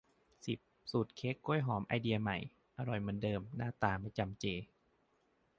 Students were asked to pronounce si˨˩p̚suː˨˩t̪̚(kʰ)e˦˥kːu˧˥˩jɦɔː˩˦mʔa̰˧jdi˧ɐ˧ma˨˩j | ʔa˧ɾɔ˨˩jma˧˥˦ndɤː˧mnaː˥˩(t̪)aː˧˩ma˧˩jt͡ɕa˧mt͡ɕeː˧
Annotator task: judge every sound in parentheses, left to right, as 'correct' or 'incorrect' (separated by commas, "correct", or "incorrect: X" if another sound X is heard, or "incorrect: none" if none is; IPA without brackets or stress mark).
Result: correct, correct